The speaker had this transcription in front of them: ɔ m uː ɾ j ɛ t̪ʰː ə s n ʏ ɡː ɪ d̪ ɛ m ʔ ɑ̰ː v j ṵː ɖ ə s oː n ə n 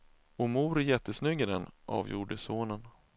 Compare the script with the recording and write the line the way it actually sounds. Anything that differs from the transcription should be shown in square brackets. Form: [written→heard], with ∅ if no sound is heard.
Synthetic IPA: ɔ m uː ɾ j ɛ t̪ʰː ə s n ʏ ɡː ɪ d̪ ɛ [m→n] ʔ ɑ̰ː v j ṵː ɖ ə s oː n ə n